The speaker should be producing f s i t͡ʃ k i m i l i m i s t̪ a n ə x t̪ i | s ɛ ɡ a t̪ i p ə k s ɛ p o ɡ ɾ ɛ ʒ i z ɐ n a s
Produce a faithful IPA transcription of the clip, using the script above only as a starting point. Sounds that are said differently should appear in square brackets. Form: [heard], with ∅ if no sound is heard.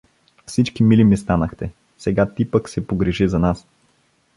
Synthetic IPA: f s i t͡ʃ k i m i l i m i s t̪ a n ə x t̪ [ɛ] | s ɛ ɡ a t̪ i p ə k s ɛ p o ɡ ɾ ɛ ʒ i z ɐ n a s